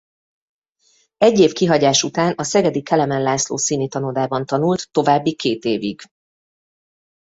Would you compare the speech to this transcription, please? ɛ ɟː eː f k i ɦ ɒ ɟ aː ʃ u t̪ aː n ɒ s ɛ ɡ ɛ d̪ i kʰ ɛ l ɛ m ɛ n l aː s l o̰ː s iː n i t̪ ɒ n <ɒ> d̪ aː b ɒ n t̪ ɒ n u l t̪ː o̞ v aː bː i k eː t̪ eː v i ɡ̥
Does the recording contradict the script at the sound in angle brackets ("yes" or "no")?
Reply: yes